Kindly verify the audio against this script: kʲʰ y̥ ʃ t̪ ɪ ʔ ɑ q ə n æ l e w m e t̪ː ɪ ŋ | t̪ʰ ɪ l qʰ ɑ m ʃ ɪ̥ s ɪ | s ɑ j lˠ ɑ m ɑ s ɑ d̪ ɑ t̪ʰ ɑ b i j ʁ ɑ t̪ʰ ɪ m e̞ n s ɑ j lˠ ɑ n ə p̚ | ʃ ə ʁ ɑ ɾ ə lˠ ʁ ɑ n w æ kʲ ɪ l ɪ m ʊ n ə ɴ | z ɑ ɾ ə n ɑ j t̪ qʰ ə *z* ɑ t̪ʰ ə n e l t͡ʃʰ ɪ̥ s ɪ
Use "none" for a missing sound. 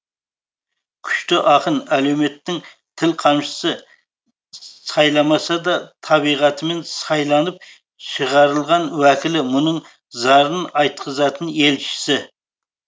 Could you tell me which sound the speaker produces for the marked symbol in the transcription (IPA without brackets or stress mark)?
z